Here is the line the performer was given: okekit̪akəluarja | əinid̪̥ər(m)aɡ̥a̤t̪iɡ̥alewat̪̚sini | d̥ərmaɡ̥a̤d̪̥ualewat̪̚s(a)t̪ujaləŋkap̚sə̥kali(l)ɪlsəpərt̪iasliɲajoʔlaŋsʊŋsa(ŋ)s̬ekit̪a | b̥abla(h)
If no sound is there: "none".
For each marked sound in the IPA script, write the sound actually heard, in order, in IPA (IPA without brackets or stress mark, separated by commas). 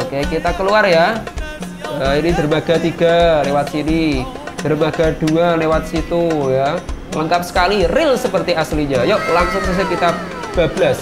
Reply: m, i, r, none, s